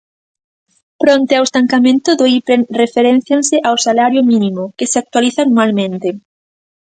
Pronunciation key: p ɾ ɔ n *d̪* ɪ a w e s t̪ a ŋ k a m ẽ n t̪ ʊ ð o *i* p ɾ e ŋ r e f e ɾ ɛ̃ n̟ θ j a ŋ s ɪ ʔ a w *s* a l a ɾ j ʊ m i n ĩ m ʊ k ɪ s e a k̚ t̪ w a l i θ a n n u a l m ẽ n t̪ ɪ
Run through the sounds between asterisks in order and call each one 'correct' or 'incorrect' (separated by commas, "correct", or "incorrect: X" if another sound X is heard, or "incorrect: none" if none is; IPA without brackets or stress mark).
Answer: incorrect: t̪, correct, correct